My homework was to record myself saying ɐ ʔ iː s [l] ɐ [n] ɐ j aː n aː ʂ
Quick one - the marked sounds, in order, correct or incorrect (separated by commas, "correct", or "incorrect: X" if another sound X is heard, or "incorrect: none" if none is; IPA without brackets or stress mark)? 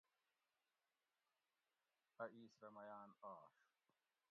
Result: incorrect: ɾ, incorrect: m